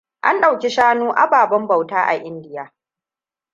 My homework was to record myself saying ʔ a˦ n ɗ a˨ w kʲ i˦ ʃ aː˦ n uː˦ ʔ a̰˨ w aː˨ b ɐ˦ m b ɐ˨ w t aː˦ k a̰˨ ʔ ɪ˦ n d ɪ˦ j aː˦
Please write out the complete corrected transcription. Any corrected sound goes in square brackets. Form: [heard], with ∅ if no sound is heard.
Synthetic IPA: ʔ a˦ n ɗ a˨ w kʲ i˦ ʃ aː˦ n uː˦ ʔ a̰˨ [b] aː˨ b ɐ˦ m b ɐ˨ w t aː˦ [ʔ] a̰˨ ʔ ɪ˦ n d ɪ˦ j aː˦